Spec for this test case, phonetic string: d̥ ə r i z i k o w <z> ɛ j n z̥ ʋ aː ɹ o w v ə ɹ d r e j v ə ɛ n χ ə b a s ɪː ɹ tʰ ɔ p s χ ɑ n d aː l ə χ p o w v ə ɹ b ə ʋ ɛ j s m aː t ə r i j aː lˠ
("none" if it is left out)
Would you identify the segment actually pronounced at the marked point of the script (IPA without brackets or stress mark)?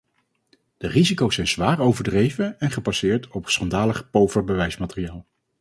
s